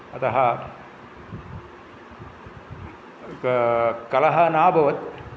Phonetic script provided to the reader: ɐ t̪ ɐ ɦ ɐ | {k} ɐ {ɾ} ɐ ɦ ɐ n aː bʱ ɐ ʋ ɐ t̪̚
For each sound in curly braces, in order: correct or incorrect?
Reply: correct, incorrect: l

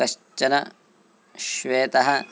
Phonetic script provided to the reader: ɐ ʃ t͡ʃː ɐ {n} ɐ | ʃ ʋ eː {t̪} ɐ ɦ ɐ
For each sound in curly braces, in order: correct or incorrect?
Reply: correct, correct

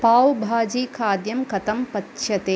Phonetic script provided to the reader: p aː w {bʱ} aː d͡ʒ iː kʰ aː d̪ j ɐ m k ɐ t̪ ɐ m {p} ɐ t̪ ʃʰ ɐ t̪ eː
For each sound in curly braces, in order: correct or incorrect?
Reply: correct, correct

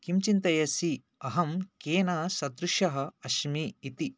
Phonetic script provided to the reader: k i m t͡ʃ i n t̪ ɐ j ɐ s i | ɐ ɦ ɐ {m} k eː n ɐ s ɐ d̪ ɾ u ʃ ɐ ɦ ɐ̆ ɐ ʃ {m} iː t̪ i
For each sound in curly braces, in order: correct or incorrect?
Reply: correct, correct

